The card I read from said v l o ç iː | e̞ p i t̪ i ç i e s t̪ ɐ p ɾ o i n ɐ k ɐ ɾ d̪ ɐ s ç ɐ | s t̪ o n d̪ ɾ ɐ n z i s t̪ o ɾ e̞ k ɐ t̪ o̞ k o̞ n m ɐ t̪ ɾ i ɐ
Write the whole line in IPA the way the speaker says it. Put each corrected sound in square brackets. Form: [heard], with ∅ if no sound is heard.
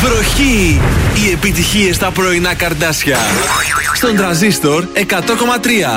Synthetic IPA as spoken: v [ɾ] o ç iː | e̞ p i t̪ i ç i e s t̪ ɐ p ɾ o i n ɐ k ɐ ɾ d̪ ɐ s ç ɐ | s t̪ o n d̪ ɾ ɐ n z i s t̪ o ɾ e̞ k ɐ t̪ o̞ k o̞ [∅] m ɐ t̪ ɾ i ɐ